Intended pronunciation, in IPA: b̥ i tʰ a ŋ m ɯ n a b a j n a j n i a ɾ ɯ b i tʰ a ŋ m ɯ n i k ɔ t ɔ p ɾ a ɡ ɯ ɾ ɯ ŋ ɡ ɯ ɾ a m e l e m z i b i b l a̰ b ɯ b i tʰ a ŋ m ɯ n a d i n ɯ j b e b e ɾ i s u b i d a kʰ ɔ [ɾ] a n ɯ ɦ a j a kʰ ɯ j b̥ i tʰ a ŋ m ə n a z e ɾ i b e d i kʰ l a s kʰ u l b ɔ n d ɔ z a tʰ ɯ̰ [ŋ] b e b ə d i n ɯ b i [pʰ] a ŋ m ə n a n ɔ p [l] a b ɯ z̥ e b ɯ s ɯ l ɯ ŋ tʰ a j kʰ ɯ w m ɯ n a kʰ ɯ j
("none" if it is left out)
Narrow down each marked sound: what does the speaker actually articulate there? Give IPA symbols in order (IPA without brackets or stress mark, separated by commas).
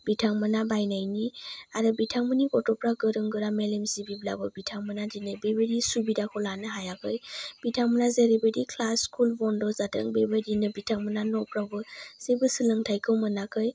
l, ŋ, tʰ, ɾ